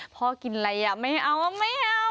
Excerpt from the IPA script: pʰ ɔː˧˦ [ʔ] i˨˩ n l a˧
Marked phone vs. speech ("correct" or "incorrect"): incorrect